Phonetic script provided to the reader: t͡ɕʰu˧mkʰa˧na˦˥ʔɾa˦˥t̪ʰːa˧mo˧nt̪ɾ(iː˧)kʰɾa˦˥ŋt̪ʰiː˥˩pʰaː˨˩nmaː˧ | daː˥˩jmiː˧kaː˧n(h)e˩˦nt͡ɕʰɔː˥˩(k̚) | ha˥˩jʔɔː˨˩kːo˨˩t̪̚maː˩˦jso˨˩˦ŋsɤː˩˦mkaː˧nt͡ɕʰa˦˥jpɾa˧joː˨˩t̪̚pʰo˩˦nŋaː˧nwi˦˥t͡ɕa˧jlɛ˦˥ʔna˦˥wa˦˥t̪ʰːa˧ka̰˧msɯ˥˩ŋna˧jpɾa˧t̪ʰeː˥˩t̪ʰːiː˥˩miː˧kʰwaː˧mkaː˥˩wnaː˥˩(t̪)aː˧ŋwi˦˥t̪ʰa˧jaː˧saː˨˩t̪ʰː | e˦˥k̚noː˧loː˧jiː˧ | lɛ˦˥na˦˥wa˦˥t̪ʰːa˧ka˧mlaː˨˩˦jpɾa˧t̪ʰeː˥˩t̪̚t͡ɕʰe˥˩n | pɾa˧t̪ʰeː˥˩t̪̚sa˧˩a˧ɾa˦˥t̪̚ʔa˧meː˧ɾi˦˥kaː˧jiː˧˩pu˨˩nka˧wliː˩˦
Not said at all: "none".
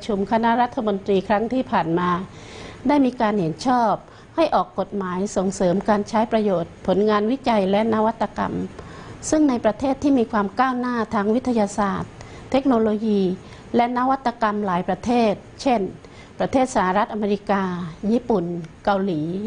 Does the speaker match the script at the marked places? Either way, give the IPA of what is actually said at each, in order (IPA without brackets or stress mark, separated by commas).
iː˧, h, p̚, t̪ʰ